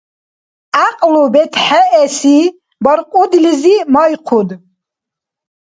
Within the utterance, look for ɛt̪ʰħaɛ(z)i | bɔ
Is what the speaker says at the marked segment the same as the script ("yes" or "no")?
no